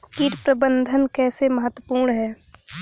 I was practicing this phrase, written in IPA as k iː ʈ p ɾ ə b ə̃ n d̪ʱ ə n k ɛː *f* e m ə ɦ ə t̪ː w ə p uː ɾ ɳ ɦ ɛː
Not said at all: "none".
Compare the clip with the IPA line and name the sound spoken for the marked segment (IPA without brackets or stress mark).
s